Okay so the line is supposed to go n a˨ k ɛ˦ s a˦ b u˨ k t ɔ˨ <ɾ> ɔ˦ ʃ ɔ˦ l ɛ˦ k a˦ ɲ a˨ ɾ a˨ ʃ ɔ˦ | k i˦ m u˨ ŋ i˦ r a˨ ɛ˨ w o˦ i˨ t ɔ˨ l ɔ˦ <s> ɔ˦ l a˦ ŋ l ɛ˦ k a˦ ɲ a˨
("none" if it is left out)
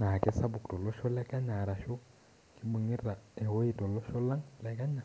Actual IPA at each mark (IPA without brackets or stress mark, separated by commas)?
l, ʃ